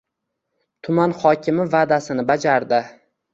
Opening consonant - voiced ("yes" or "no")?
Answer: no